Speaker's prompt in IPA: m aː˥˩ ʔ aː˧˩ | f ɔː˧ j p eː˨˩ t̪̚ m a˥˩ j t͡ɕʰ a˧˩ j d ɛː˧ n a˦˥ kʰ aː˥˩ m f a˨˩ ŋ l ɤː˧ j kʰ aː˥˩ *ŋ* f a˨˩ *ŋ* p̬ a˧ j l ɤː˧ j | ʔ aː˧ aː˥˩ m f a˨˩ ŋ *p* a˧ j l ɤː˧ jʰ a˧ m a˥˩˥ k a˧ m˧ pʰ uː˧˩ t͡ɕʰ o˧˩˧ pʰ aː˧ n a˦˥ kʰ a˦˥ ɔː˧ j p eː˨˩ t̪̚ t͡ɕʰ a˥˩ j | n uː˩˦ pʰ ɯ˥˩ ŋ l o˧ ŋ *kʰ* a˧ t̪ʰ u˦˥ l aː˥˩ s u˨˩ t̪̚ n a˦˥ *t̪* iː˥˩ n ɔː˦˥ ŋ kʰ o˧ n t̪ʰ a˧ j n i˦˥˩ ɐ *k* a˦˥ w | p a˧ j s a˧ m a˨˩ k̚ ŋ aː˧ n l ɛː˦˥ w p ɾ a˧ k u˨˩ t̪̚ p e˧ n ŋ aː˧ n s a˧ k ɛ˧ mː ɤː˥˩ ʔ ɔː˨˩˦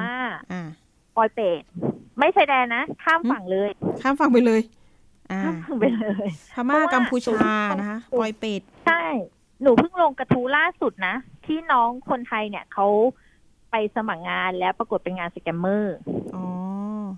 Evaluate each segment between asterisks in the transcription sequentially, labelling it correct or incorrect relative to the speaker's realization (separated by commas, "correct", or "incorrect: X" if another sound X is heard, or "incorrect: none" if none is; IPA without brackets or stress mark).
incorrect: m, correct, correct, incorrect: k, incorrect: t̪ʰ, incorrect: kʰ